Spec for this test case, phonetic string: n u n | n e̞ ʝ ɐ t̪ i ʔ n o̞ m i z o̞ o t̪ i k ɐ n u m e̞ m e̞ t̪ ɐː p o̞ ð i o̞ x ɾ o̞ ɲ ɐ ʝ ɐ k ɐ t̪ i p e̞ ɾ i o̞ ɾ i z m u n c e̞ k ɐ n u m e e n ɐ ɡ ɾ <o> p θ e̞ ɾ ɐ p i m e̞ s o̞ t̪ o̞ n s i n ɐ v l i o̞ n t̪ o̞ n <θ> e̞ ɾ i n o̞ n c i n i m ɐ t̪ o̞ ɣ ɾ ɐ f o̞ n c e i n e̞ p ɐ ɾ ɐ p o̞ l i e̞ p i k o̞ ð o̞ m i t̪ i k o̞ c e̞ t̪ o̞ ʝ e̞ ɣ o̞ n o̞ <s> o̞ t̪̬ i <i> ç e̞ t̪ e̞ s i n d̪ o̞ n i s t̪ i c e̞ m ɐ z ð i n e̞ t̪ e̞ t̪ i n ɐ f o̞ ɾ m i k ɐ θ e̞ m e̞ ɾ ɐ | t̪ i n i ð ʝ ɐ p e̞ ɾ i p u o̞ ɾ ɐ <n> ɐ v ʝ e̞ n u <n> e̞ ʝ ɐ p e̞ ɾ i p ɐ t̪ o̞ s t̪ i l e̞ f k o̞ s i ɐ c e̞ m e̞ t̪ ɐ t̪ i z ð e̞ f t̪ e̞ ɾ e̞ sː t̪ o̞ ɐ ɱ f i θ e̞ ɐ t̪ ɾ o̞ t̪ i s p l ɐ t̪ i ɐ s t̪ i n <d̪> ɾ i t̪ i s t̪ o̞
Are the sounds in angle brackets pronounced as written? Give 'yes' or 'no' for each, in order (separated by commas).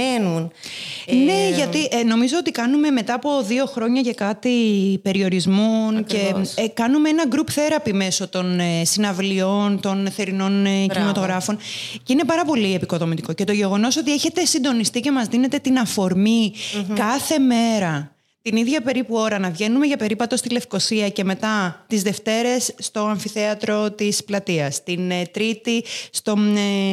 no, yes, yes, no, yes, no, no